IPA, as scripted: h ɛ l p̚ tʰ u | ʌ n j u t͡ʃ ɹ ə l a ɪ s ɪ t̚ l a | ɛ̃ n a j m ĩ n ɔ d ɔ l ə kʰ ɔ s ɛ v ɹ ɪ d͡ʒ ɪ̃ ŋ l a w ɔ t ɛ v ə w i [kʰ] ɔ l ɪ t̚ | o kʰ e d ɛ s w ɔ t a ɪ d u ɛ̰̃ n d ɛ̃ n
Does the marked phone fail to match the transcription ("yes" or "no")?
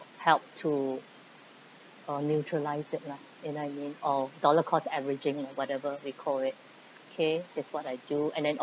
no